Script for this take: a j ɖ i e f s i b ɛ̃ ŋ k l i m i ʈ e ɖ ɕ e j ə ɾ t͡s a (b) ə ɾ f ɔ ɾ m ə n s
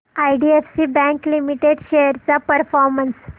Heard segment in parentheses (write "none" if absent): p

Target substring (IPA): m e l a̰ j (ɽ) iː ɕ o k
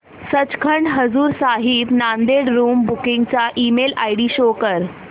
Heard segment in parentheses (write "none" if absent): ɽ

